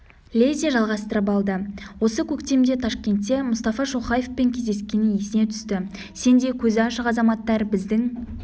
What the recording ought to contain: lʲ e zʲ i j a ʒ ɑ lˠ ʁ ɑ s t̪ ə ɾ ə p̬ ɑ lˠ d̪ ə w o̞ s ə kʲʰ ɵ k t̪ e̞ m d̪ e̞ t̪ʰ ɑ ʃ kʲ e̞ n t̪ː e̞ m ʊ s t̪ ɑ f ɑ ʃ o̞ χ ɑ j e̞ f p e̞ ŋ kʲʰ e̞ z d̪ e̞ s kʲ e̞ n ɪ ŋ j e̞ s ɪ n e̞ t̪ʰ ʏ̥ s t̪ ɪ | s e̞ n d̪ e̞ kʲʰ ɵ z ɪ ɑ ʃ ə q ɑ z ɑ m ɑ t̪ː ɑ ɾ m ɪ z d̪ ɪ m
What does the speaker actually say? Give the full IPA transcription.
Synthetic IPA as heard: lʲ e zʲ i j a ʒ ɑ lˠ ʁ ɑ s t̪ ə ɾ ə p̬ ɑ lˠ d̪ ə w o̞ s ə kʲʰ ɵ k t̪ e̞ m d̪ e̞ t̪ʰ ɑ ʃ kʲ e̞ n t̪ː e̞ m ʊ s t̪ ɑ f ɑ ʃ o̞ χ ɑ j e̞ f p e̞ ŋ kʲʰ e̞ z d̪ e̞ s kʲ e̞ n ɪ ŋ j e̞ s ɪ n e̞ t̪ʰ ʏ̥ s t̪ ɪ | s e̞ n d̪ e̞ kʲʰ ɵ z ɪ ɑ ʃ ə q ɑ z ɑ m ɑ t̪ː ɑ ɾ b ɪ z d̪ ɪ ŋ